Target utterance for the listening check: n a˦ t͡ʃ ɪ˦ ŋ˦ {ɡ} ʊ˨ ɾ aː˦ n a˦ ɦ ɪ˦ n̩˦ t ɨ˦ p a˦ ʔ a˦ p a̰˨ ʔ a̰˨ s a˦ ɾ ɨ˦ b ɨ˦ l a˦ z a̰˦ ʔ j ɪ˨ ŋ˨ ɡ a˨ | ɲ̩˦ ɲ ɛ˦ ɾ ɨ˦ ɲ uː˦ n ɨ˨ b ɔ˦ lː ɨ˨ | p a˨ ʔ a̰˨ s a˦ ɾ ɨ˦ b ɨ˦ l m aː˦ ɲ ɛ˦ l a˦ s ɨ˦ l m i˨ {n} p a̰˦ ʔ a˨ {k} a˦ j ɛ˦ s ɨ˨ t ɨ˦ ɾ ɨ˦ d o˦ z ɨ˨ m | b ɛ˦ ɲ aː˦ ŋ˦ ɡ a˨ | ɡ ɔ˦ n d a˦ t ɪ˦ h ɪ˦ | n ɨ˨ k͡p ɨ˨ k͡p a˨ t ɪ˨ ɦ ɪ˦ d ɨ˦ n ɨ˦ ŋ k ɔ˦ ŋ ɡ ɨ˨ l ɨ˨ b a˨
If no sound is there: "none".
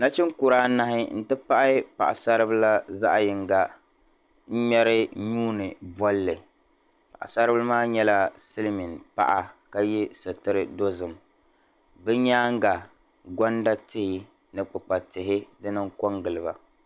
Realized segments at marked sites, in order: k, n, k

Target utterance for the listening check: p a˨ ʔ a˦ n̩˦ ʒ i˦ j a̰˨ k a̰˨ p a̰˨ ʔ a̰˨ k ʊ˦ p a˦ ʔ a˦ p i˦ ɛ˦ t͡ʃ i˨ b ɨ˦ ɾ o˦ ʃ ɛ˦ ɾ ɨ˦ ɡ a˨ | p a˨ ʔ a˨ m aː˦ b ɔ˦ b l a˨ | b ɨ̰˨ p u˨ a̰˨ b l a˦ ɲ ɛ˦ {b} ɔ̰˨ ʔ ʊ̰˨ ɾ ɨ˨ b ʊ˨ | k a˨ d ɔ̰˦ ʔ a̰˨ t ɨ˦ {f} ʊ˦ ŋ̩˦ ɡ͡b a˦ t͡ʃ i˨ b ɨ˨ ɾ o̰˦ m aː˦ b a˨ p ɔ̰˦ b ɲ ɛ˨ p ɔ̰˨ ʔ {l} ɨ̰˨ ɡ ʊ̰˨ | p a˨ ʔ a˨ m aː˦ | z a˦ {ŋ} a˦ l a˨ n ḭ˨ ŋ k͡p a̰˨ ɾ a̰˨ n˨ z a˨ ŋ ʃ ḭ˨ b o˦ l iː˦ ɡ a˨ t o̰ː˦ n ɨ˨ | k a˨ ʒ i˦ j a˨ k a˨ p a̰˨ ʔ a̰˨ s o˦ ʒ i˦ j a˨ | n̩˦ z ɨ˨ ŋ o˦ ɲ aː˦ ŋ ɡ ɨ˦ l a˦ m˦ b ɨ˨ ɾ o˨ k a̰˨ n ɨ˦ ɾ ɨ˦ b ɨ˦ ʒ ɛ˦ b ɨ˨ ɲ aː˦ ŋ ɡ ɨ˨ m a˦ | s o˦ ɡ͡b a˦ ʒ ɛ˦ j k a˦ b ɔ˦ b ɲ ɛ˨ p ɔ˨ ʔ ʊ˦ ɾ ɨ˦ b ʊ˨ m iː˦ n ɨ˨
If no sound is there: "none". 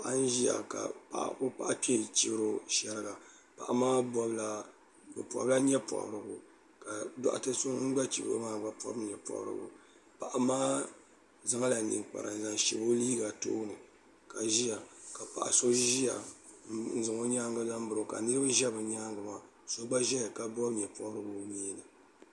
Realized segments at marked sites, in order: p, s, ɾ, ŋ

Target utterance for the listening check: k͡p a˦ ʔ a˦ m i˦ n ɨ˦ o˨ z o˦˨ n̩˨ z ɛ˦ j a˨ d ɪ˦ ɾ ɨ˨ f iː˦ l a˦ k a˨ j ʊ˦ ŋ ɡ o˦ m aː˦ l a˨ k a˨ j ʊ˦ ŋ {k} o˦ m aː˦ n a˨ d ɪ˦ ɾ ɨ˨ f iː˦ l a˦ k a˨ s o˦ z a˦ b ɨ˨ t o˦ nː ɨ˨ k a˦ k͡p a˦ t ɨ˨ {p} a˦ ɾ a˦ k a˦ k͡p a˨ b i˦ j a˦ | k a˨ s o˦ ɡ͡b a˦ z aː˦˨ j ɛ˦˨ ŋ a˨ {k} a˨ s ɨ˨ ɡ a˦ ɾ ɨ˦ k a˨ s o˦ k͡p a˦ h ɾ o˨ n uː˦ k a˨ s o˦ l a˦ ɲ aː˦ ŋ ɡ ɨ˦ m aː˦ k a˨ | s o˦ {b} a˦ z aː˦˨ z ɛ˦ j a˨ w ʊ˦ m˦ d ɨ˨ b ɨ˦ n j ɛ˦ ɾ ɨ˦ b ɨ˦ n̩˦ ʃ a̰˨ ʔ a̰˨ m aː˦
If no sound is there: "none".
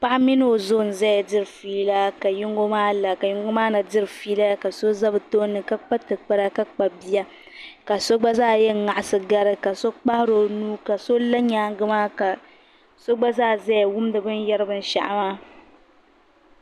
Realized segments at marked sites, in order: ɡ, k͡p, ʔ, ɡ͡b

